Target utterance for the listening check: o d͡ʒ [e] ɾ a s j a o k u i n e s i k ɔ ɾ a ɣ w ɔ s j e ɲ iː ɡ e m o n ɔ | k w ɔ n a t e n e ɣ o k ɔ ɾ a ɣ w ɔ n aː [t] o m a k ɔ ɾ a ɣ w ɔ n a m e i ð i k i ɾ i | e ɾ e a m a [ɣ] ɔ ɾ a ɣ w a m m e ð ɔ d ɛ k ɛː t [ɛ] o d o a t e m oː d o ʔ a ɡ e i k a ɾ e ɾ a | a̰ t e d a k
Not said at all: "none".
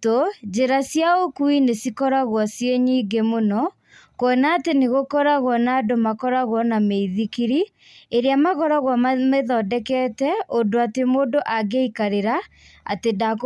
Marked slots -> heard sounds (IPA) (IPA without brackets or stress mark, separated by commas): e, d, ɣ, ɛ